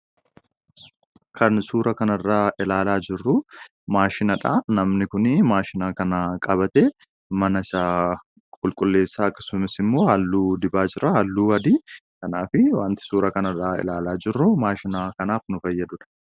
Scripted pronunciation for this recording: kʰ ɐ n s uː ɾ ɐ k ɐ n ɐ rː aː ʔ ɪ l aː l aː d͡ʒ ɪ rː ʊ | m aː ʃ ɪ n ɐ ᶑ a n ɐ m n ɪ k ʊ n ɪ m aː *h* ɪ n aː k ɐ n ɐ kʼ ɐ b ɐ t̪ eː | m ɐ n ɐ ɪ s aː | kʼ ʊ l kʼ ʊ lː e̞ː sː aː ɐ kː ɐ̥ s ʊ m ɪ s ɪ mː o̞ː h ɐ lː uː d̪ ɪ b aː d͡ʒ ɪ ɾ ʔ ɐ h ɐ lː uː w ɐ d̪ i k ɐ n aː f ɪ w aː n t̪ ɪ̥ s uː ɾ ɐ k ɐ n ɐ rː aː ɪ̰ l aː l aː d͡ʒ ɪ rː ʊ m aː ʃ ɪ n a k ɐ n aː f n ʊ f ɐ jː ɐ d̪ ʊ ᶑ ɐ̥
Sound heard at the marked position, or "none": ʃ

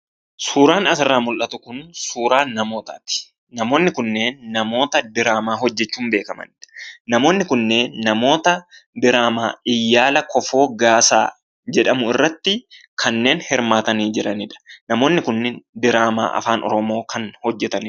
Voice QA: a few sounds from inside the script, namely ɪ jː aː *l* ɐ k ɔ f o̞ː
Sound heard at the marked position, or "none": l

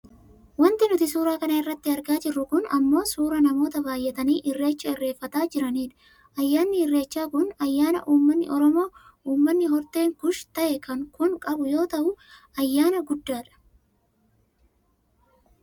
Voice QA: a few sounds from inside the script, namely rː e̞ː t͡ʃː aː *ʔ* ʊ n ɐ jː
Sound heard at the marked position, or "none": k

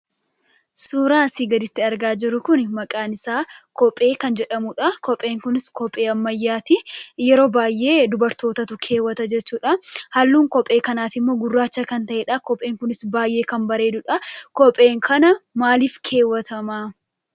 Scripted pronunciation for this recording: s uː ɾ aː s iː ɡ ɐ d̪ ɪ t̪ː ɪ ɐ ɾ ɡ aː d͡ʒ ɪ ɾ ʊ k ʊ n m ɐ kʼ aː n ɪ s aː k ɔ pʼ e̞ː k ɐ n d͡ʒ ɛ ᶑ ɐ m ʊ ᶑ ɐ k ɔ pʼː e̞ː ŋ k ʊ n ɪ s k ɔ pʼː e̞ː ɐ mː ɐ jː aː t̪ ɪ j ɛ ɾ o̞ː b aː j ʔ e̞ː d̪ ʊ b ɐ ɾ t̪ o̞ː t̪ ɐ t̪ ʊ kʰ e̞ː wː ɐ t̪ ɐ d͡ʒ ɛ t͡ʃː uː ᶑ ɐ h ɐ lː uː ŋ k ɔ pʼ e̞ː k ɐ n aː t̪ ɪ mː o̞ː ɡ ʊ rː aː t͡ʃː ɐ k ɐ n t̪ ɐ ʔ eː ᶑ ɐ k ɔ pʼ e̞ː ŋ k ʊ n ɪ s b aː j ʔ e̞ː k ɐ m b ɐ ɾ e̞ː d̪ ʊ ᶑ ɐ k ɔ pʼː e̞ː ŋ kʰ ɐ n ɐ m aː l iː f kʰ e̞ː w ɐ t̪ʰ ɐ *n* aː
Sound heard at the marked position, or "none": m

